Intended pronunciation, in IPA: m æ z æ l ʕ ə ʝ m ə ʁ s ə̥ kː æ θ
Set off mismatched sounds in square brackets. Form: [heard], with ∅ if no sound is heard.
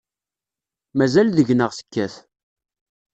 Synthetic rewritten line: m æ z æ l [ð] ə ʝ [n] ə ʁ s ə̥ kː æ θ